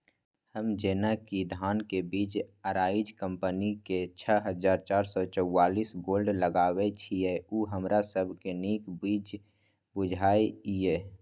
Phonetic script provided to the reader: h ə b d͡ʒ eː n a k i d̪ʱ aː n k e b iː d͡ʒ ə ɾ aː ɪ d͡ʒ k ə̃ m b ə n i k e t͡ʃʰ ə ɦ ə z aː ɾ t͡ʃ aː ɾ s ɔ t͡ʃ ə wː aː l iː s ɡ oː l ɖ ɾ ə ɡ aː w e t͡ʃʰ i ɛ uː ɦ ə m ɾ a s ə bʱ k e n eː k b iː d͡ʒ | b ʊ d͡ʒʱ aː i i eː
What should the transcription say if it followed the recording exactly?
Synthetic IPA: h ə m d͡ʒ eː n a k i d̪ʱ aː n k e b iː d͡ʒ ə ɾ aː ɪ d͡ʒ k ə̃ m p ə n i k e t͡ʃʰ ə ɦ ə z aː ɾ t͡ʃ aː ɾ s ɔ t͡ʃ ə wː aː l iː s ɡ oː l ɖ l ə ɡ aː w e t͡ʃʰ i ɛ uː ɦ ə m ɾ a s ə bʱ k e n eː k b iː d͡ʒ | b ʊ d͡ʒʱ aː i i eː